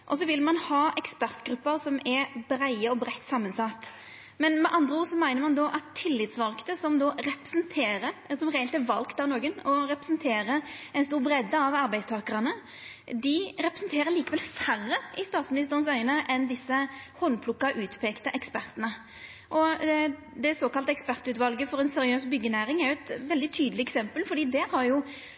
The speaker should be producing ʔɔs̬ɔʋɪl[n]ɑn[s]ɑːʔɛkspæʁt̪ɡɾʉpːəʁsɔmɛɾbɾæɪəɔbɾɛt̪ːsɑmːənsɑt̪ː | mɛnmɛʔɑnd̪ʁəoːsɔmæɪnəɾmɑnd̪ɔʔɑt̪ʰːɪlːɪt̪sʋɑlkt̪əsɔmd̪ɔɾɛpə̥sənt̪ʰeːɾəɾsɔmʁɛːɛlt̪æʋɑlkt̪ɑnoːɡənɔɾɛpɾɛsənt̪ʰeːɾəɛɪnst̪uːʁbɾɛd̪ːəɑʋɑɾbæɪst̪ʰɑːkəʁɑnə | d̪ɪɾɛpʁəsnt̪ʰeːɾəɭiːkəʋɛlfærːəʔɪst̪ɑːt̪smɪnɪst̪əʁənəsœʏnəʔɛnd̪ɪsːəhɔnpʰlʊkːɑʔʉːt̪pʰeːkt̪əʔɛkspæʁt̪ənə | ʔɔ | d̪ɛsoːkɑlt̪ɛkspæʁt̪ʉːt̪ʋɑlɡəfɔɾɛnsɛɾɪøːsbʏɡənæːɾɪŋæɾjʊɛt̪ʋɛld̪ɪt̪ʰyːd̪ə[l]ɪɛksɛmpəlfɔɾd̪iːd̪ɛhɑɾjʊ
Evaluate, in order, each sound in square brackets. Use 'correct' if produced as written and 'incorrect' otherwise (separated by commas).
incorrect, incorrect, correct